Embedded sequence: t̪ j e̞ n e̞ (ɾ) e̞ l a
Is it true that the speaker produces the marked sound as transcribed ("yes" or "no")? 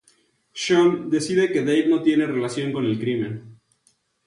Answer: no